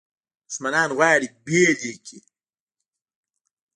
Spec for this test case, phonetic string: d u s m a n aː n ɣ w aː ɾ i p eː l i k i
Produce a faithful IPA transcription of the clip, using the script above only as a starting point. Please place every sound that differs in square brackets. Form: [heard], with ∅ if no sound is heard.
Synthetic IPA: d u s m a n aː n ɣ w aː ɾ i [b] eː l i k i